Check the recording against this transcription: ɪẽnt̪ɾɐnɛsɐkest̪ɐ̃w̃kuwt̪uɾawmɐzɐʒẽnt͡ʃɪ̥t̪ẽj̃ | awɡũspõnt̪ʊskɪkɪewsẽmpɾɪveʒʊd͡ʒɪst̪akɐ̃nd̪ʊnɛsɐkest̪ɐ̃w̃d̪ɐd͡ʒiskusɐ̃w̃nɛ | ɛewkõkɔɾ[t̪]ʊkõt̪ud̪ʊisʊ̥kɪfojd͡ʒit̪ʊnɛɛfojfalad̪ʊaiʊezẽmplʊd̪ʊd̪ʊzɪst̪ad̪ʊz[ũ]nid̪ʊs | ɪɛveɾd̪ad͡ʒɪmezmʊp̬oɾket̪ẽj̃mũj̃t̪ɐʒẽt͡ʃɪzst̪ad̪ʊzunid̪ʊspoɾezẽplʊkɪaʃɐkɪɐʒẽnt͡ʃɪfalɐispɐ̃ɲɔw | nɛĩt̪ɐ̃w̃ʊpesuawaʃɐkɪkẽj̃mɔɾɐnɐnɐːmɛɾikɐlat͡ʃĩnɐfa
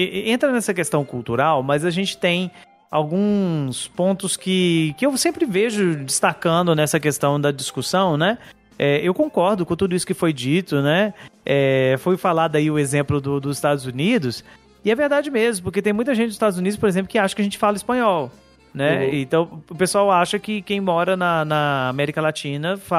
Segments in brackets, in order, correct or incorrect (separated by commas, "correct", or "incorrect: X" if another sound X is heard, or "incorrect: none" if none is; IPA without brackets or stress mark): incorrect: d̪, incorrect: u